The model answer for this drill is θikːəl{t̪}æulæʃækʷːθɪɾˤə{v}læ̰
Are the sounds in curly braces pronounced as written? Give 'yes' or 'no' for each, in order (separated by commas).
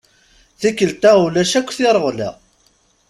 yes, no